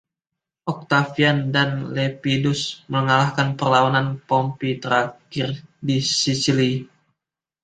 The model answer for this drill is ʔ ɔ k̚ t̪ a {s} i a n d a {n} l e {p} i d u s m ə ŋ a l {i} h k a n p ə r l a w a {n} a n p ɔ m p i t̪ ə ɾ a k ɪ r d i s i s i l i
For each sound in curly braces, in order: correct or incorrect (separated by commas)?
incorrect, correct, correct, incorrect, correct